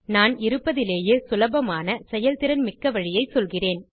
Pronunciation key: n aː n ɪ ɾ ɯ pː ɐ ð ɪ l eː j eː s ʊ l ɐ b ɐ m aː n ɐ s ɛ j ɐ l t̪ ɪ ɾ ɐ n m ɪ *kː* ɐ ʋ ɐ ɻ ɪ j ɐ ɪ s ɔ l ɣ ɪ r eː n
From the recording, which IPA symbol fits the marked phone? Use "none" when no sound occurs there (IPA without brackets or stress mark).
kː